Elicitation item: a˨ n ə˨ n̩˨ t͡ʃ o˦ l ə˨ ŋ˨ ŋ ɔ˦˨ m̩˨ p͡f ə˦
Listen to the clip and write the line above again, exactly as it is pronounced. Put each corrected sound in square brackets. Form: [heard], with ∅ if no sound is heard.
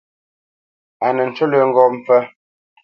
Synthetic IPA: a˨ n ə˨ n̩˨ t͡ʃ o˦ l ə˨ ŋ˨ [ɡ] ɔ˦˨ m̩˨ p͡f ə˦